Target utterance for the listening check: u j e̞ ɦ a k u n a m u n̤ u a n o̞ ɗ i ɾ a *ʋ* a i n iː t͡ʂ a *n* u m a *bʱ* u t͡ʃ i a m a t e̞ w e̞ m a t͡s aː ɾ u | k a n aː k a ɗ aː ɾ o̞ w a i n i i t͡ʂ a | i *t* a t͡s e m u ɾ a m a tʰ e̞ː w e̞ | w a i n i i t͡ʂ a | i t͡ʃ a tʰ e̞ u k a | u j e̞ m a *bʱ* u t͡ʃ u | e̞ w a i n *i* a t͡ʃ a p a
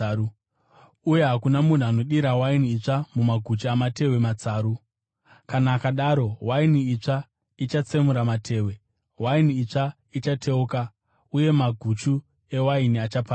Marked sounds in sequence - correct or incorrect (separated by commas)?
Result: incorrect, incorrect, incorrect, incorrect, incorrect, correct